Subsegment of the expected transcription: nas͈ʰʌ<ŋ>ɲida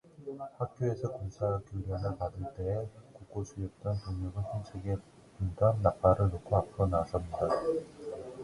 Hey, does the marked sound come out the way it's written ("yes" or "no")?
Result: no